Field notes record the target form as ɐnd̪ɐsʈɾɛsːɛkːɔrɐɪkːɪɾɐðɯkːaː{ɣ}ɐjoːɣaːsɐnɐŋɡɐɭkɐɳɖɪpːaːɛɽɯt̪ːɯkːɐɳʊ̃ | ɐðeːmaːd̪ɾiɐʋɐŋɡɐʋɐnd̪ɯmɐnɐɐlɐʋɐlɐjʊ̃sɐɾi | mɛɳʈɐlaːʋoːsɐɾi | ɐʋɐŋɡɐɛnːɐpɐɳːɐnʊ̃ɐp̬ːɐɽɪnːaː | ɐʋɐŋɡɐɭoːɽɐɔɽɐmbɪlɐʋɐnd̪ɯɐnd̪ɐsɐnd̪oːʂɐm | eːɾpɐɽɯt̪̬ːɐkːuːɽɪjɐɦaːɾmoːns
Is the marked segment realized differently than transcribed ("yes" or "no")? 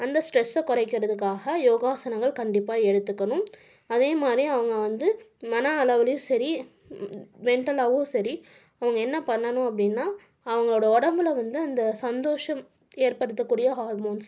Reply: no